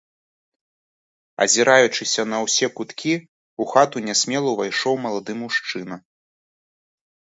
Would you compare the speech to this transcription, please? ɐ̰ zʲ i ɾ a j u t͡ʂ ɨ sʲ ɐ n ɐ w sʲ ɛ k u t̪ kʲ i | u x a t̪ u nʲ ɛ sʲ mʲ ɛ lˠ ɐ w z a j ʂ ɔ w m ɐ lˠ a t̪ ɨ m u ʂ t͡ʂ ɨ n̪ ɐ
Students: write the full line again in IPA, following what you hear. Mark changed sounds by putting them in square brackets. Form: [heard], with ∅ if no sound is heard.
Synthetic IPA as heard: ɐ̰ zʲ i ɾ a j u t͡ʂ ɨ sʲ ɐ n ɐ w sʲ ɛ k u t̪ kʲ i | u x a t̪ u nʲ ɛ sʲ mʲ ɛ lˠ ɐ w [v] a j ʂ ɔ w m ɐ lˠ a [d̪] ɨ m u ʂ t͡ʂ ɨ n̪ ɐ